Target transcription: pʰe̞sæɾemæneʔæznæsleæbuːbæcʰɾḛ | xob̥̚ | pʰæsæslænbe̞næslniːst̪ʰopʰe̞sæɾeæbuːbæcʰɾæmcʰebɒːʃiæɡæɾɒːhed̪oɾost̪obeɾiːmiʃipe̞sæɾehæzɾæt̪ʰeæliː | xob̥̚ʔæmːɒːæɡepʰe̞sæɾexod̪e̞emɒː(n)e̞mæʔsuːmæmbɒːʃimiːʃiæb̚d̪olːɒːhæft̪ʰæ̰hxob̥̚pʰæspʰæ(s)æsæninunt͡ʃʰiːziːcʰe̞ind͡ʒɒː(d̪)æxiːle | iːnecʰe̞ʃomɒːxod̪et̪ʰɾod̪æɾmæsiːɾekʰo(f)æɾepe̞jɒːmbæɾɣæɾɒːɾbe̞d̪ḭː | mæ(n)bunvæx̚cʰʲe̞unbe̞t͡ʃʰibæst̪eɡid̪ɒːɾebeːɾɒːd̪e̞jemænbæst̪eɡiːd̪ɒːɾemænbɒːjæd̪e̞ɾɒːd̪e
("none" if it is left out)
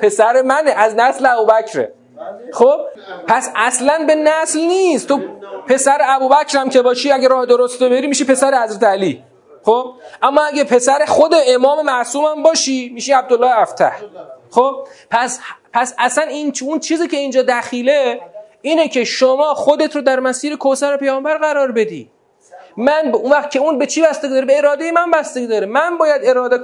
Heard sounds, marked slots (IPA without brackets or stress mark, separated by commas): m, s, d̪, s, n